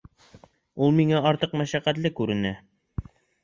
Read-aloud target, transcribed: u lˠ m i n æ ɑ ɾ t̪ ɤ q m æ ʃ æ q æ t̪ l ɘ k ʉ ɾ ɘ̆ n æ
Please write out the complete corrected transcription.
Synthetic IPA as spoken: u lˠ m i ŋ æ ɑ ɾ t̪ ɤ q m æ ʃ æ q æ t̪ l ɘ k ʉ ɾ ɘ̆ n æ